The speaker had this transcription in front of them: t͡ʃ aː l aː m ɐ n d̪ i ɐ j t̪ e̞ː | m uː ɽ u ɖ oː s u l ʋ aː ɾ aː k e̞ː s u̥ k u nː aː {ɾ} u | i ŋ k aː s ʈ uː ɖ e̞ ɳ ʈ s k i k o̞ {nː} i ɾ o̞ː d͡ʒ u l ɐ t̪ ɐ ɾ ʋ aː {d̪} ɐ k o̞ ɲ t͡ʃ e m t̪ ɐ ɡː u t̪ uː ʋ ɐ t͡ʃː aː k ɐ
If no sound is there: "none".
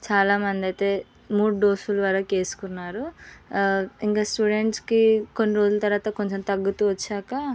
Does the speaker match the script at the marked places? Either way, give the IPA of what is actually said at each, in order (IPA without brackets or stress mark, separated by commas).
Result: ɾ, nː, t̪